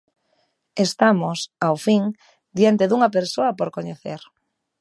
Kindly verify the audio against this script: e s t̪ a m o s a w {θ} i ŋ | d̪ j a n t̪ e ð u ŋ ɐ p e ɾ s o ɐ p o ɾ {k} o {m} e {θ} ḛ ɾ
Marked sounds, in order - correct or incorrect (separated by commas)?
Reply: incorrect, correct, incorrect, correct